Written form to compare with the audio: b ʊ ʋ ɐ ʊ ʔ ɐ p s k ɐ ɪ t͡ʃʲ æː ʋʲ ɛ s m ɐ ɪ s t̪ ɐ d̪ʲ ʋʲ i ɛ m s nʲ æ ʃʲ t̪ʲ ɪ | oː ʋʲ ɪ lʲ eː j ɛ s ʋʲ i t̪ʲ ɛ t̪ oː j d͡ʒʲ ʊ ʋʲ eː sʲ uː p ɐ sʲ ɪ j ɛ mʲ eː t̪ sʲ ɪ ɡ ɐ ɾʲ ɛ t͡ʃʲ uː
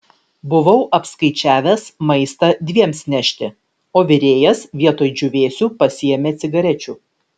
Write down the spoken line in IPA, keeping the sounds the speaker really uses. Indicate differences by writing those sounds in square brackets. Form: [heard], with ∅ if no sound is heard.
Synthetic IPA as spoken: b ʊ ʋ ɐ ʊ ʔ ɐ p s k ɐ ɪ t͡ʃʲ æː ʋʲ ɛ s m ɐ ɪ s t̪ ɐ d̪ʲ ʋʲ i ɛ m s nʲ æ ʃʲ t̪ʲ ɪ | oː ʋʲ ɪ [ɾʲ] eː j ɛ s ʋʲ i [∅] ɛ t̪ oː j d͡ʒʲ ʊ ʋʲ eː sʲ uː p ɐ sʲ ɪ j ɛ mʲ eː t̪ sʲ ɪ ɡ ɐ ɾʲ ɛ t͡ʃʲ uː